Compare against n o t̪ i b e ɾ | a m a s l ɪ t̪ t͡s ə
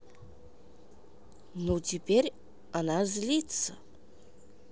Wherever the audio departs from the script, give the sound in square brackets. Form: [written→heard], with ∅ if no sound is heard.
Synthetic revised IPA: n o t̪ i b e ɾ | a [m→n] a [s→z] l [ɪ→i] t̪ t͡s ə

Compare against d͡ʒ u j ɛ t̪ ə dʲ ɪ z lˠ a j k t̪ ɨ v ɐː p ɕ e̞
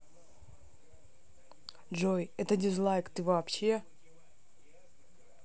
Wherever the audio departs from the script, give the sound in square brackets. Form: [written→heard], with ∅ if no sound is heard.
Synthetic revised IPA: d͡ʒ [u→o] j ɛ t̪ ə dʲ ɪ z lˠ a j k t̪ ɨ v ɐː p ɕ e̞

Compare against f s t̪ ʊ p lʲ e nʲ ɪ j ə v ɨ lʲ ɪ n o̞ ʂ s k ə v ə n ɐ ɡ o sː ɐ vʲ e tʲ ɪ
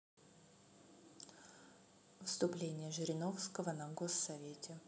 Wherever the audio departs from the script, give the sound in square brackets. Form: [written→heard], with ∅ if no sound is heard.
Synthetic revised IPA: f s t̪ ʊ p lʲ e nʲ ɪ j ə [v→ʐ] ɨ [lʲ→ɾʲ] ɪ n o̞ [ʂ→f] s k ə v ə n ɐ ɡ o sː ɐ vʲ e tʲ ɪ

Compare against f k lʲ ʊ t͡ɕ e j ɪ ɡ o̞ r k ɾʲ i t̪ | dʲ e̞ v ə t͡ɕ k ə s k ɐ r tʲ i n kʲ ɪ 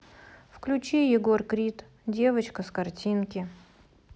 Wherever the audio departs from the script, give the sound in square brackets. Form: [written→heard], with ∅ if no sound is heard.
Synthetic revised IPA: f k lʲ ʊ t͡ɕ e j ɪ ɡ o̞ r k ɾʲ i t̪ | dʲ e̞ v ə t͡ɕ k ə s k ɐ r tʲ i n kʲ ɪ

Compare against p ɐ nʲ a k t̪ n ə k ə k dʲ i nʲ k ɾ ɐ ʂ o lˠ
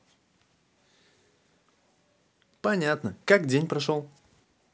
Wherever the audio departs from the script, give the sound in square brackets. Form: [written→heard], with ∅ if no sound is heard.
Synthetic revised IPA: p ɐ nʲ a [k→∅] t̪ n ə k [ə→a] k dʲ [i→e] nʲ [k→p] ɾ ɐ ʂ o lˠ

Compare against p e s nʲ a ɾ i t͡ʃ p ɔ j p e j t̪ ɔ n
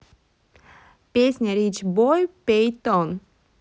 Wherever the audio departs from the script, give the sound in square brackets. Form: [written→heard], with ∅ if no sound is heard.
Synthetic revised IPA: p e s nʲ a ɾ i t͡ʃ [p→b] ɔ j p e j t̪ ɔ n

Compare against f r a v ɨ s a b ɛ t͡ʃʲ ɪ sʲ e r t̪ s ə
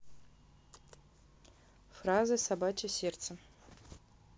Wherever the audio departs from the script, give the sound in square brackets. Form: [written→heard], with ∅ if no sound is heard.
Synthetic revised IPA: f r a [v→z] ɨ s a b [ɛ→a] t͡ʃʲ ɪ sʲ e r t̪ s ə

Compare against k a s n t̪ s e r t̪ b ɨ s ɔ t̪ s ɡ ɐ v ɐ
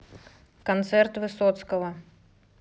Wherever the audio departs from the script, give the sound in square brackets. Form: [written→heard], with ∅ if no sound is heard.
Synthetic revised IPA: k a [s→∅] n t̪ s [e→ɛ] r t̪ [b→v] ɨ s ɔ t̪ s [ɡ→k] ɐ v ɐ

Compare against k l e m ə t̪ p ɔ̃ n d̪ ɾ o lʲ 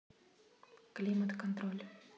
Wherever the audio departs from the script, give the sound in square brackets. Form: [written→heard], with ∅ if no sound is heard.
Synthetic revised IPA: k l [e→i] m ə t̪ [p→k] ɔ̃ n [d̪→t̪] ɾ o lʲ

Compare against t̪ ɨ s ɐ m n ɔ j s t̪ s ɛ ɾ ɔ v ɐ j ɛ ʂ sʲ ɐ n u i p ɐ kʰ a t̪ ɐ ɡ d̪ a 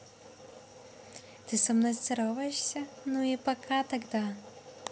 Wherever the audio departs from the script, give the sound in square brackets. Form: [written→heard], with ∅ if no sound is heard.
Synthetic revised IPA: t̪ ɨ s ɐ m n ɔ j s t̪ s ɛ ɾ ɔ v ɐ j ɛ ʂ sʲ ɐ n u i p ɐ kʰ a t̪ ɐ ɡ d̪ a

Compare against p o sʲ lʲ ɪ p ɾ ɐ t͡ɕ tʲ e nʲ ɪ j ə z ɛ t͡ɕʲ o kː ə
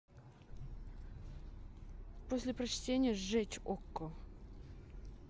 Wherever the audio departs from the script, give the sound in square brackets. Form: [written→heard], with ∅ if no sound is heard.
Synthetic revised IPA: p o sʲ lʲ ɪ p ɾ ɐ t͡ɕ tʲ e nʲ ɪ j ə [z→ʐ] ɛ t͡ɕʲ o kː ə

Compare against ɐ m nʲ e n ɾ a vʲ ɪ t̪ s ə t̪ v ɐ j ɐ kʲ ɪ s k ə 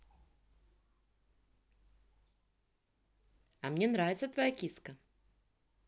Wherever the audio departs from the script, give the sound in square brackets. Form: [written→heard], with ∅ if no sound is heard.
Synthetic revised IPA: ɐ m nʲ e n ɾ a vʲ ɪ t̪ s ə t̪ v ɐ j [ɐ→a] kʲ [ɪ→i] s k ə

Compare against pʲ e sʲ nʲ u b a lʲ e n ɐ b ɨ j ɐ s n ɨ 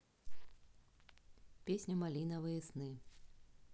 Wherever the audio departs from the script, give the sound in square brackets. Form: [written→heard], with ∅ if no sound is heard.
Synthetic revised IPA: pʲ e sʲ nʲ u [b→m] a lʲ [e→i] n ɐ [b→v] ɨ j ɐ s n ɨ

